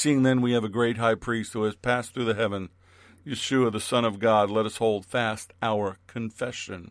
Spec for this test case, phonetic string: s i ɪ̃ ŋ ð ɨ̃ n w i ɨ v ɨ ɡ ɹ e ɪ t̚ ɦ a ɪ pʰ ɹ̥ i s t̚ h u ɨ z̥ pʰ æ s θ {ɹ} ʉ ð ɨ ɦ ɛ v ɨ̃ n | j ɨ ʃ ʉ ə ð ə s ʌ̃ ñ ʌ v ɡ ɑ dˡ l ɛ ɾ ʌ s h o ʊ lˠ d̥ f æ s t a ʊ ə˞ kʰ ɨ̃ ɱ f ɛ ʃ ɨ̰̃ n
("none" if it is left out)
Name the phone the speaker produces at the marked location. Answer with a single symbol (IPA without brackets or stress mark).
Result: ɹ